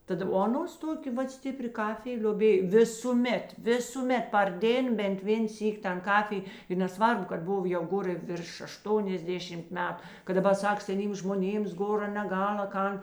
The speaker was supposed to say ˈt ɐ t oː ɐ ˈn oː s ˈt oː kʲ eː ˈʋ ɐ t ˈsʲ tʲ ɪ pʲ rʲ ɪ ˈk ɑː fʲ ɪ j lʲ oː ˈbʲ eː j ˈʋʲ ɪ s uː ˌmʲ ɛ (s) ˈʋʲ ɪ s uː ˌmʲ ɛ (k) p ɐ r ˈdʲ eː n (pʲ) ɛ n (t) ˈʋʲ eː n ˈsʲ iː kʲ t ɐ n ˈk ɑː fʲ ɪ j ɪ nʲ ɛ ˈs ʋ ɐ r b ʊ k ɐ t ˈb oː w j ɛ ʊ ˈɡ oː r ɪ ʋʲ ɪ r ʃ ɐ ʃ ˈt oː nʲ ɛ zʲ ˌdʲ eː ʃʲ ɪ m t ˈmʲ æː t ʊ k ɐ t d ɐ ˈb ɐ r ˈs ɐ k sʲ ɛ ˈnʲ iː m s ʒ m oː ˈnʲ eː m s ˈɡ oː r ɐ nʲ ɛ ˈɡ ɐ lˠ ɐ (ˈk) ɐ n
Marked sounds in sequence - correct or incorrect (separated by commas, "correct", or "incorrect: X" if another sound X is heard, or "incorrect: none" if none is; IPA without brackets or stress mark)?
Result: incorrect: t, incorrect: t, incorrect: bʲ, correct, correct